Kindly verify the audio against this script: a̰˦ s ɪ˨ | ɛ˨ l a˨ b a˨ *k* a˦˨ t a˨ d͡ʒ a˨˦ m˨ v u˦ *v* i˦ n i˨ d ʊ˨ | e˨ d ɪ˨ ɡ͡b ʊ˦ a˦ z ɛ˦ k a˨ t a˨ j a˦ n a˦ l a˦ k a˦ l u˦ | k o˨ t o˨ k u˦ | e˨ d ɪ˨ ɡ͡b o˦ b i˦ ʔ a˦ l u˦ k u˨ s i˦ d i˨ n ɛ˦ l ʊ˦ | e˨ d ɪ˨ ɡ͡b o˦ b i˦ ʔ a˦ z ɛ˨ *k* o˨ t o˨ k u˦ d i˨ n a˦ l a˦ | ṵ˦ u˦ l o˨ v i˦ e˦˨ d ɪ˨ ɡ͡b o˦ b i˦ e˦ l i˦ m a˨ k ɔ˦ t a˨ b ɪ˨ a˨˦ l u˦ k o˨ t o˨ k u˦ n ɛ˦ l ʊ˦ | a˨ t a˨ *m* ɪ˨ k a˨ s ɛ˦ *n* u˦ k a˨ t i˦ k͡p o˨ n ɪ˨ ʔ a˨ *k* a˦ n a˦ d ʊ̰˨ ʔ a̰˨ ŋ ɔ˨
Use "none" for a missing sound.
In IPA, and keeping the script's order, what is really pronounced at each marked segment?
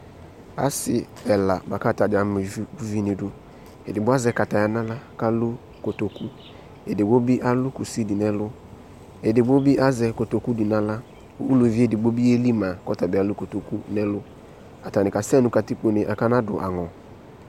k, v, k, n, n, k

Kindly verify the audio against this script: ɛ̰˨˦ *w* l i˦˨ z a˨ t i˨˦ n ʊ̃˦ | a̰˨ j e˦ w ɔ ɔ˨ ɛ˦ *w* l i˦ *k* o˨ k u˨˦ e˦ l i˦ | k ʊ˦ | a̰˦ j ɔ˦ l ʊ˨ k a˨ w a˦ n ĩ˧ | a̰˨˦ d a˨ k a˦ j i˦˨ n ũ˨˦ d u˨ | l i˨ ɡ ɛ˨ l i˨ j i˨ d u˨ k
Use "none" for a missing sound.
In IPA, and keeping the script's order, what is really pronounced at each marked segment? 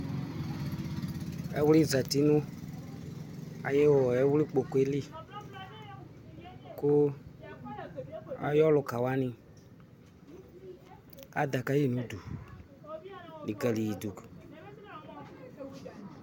w, w, k͡p

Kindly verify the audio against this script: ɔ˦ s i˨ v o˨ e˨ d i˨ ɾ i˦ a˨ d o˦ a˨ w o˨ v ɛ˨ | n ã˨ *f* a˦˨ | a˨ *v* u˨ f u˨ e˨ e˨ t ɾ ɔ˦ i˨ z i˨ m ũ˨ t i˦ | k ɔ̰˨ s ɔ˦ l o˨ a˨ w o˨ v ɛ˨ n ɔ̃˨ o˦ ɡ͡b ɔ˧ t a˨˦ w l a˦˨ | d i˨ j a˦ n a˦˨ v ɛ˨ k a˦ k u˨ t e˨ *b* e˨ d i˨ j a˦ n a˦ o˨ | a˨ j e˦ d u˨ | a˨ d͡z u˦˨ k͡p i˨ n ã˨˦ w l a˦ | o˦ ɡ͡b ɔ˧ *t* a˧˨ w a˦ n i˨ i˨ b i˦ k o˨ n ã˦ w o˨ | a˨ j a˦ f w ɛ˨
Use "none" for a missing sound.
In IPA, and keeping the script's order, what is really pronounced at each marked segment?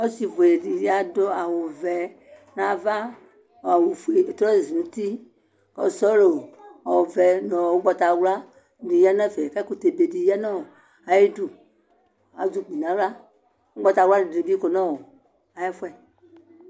v, w, b, t

